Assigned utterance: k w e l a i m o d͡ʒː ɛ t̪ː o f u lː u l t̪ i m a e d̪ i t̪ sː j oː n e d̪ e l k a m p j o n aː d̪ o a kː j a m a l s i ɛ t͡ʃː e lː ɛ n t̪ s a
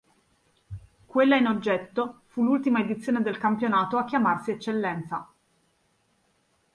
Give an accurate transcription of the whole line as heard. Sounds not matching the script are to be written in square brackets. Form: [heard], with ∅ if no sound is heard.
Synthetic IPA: k w e [lː] a i [n] o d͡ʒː ɛ t̪ː o f u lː u l t̪ i m a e d̪ i t̪ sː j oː n e d̪ e l k a m p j o n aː [t̪] o a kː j a m a [r] s i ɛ t͡ʃː e lː ɛ n t̪ s a